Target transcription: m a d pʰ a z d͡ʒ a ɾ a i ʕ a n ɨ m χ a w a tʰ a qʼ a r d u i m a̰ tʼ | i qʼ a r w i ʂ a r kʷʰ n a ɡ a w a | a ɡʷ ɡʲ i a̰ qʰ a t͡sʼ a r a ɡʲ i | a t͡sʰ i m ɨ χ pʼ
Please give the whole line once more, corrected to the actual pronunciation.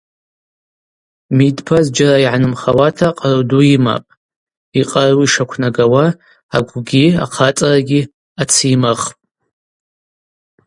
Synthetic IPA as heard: m i d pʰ a z d͡ʒ a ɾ a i ʕ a n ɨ m χ a w a tʰ a qʼ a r d u i m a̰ pʼ | i qʼ a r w i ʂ a kʷʰ n a ɡ a w a | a ɡʷ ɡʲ i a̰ qʰ a t͡sʼ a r a ɡʲ i | a t͡sʰ i m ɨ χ pʼ